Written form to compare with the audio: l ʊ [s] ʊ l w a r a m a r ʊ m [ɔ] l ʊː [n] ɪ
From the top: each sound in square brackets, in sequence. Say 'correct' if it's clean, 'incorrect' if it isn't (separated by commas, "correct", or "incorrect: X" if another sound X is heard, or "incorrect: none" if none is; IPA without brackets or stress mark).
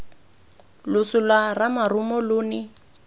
correct, correct, correct